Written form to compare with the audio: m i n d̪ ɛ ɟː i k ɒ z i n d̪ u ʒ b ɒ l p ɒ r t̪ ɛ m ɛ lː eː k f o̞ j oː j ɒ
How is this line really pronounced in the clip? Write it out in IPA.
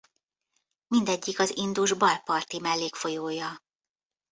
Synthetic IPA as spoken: m i n d̪ ɛ ɟː i k ɒ z i n d̪ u ʒ b ɒ l p ɒ r t̪ i m ɛ lː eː k f o̞ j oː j ɒ